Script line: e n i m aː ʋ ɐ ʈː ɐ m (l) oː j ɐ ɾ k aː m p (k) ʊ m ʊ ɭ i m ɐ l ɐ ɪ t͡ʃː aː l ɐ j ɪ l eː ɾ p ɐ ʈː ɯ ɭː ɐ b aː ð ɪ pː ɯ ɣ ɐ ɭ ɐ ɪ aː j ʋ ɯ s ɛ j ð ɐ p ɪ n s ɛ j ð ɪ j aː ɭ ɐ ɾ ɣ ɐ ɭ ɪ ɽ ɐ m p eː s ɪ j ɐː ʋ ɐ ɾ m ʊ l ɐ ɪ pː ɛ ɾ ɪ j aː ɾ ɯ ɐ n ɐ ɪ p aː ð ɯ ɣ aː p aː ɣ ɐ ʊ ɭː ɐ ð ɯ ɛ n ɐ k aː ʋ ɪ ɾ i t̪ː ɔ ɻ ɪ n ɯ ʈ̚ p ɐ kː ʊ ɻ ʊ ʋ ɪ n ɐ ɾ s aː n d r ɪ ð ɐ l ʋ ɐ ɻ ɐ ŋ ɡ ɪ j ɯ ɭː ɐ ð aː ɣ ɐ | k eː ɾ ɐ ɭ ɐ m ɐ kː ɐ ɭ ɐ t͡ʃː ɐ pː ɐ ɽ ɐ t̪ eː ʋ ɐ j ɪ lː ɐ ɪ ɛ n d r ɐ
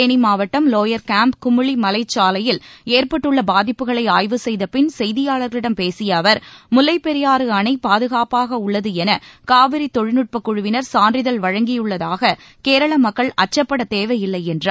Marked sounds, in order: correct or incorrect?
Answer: correct, correct

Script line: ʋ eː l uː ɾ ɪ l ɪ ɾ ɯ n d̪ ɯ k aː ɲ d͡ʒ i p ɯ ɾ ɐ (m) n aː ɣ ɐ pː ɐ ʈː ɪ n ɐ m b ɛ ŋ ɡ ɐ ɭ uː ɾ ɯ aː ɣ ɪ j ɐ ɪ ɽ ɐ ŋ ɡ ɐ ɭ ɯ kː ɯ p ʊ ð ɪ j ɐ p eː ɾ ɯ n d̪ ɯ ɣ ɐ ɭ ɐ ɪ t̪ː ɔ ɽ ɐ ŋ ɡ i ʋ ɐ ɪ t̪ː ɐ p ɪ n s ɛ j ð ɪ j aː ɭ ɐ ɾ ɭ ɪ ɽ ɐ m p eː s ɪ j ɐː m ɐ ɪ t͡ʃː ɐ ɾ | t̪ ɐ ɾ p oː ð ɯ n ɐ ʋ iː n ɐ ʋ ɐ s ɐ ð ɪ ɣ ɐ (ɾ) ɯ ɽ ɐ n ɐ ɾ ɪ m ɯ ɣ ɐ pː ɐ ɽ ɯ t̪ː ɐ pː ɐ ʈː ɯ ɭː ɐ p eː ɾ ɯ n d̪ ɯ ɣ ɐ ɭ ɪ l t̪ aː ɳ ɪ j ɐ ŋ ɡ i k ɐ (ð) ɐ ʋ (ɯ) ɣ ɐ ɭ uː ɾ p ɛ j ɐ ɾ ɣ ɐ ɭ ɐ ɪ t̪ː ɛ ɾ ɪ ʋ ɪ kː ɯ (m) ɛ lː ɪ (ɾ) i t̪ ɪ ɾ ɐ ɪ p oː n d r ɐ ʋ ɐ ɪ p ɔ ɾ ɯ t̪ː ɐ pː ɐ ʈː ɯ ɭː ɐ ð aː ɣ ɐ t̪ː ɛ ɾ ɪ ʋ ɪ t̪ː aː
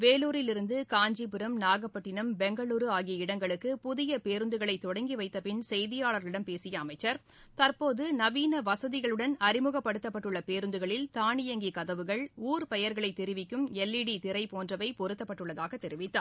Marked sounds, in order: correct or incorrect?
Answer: correct, incorrect, correct, correct, correct, incorrect

